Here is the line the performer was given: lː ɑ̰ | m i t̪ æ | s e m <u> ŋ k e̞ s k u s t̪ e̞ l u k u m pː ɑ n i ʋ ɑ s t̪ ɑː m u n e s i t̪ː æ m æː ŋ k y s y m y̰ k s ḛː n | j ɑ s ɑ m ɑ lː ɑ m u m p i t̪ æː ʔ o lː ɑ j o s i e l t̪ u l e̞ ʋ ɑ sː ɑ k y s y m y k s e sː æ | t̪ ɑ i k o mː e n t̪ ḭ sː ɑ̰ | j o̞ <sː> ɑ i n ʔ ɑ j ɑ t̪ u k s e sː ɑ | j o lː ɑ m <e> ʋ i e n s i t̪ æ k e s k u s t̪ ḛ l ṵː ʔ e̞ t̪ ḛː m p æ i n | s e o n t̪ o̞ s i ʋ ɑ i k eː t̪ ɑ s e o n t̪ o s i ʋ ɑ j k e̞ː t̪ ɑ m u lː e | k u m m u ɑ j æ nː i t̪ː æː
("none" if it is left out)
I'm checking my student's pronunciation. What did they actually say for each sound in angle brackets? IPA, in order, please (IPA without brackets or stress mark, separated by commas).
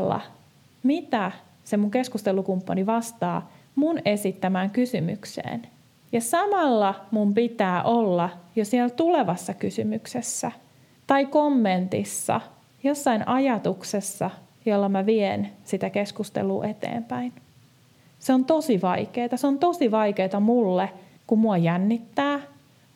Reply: u, sː, æ